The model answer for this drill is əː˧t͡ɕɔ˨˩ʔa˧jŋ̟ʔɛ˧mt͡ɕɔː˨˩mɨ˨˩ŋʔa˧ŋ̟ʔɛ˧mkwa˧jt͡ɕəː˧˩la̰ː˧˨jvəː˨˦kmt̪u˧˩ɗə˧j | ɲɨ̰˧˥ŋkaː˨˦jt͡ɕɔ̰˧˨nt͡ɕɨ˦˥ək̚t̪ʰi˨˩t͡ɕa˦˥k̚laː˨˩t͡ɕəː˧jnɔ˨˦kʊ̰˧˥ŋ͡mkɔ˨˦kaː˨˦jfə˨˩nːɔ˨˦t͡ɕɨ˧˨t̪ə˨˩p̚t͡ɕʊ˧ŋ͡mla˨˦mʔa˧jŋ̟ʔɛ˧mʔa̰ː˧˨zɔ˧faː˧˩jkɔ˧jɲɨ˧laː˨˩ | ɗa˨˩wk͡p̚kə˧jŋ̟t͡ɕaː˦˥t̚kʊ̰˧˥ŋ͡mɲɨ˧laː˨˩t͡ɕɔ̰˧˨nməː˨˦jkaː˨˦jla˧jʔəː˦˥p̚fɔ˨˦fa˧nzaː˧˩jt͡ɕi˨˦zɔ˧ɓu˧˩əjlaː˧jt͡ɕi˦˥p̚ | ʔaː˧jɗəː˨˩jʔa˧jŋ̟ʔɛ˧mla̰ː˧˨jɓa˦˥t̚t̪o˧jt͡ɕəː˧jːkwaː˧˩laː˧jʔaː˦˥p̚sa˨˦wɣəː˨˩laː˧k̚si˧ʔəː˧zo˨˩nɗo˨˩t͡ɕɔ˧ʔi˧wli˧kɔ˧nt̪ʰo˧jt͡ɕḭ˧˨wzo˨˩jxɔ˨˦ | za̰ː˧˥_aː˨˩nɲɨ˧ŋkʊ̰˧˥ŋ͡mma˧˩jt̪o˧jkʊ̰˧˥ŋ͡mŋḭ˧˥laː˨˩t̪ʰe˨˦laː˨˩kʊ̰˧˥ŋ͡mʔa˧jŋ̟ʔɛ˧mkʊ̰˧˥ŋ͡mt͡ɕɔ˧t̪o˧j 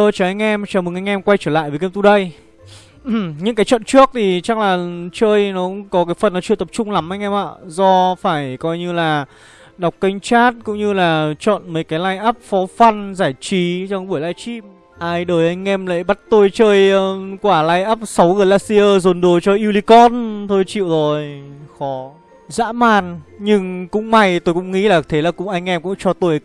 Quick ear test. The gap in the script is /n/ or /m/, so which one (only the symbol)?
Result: m